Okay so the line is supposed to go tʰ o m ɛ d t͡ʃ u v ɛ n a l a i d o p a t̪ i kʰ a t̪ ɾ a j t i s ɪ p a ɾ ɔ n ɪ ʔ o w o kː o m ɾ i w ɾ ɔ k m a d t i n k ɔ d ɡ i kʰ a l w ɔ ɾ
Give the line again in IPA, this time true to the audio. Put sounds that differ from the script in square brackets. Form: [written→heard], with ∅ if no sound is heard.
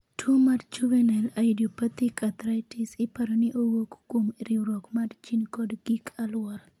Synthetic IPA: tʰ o m [ɛ→a] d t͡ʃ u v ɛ n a l a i d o p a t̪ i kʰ a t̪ ɾ a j t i s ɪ p a ɾ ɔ n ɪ ʔ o w o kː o m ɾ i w ɾ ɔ k m a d [t→t͡ʃ] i n k ɔ d ɡ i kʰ a l w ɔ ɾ